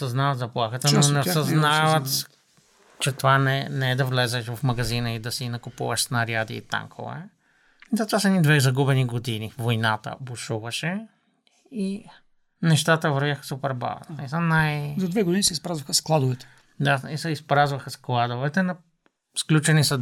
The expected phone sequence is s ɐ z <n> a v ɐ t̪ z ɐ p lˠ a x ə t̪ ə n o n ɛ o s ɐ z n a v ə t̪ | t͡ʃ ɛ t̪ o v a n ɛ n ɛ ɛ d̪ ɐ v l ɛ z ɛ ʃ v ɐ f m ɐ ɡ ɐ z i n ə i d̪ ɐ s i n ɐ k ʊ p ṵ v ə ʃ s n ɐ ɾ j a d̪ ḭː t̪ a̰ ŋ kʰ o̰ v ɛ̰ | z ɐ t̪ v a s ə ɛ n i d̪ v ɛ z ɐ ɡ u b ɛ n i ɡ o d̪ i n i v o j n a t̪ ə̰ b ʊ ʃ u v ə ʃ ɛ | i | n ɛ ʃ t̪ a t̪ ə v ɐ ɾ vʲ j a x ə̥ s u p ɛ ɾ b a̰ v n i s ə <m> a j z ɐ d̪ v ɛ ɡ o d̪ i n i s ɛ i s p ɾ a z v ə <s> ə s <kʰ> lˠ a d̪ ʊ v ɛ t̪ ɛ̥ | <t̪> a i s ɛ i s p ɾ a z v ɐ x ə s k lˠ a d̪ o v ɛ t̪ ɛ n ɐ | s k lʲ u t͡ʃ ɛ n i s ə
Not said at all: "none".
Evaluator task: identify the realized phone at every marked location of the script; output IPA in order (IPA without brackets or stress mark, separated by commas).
n, n, x, k, d̪